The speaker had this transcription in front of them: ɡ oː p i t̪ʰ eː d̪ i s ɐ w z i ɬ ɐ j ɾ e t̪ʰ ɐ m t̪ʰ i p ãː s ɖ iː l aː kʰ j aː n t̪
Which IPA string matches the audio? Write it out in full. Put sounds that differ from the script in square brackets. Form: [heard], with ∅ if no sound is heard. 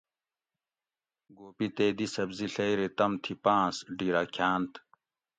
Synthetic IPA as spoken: ɡ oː p i [t̪] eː d̪ i s ɐ [b] z i ɬ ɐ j ɾ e [t̪] ɐ m t̪ʰ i p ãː s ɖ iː [ɾ] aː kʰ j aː n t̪